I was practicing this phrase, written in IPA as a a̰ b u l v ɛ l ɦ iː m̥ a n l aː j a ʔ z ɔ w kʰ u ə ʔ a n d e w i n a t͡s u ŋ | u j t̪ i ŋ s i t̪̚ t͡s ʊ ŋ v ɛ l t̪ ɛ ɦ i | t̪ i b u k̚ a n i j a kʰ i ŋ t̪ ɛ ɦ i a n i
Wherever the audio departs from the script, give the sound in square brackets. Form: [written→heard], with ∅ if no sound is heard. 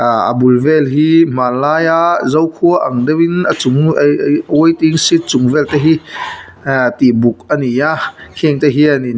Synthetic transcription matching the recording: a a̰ b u l v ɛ l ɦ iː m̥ a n l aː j a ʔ z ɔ w kʰ u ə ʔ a [n→ŋ] d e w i n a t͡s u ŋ | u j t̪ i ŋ s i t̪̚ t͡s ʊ ŋ v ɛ l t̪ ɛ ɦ i | t̪ i b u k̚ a n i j a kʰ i ŋ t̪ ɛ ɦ i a n i